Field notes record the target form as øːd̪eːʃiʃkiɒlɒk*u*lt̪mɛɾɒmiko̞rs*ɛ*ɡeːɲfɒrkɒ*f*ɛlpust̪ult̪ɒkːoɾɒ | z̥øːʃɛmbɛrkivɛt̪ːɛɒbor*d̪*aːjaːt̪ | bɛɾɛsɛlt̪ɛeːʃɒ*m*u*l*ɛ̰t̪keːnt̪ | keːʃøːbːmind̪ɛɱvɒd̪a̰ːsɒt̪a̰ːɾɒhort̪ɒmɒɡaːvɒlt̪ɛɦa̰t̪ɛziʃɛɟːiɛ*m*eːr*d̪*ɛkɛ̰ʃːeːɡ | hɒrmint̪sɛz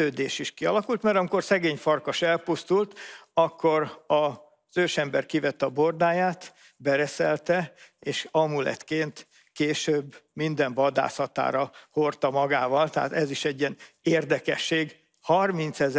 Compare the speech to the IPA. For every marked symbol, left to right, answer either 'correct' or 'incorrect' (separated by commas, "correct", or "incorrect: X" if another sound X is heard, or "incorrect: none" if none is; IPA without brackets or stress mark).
correct, correct, incorrect: ʃ, correct, correct, correct, incorrect: n, correct